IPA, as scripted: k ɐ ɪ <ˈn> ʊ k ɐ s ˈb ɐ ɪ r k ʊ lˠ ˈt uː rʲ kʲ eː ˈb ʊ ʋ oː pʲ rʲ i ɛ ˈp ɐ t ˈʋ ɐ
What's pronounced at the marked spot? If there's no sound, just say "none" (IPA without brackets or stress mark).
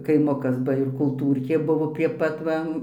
m